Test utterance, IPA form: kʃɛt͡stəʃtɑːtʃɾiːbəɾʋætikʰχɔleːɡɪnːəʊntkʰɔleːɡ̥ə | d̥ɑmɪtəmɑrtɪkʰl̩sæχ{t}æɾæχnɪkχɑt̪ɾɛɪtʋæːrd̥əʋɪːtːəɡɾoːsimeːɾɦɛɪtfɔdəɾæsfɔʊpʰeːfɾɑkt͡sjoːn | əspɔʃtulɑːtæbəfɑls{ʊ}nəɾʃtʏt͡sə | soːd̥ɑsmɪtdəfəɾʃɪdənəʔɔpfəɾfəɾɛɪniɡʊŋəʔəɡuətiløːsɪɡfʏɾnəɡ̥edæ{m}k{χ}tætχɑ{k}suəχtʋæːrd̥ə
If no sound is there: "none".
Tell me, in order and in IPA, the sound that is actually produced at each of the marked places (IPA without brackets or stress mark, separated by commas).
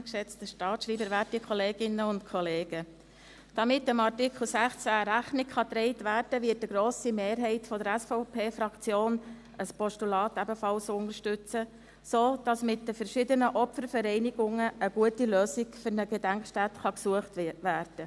t͡s, ʊ, ŋ, ʃ, k